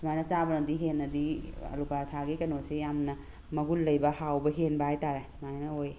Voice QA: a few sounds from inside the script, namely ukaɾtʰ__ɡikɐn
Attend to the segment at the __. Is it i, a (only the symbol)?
a